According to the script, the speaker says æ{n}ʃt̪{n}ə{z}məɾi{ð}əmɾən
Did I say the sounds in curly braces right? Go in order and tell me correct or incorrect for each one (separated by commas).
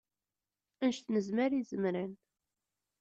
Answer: correct, correct, correct, incorrect